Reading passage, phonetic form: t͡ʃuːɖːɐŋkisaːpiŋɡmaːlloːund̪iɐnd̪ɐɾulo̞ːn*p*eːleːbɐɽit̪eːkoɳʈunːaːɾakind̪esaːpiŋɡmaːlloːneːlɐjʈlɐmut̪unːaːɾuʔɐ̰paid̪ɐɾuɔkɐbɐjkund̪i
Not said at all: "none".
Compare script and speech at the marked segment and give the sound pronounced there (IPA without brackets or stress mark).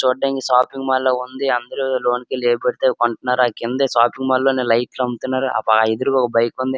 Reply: k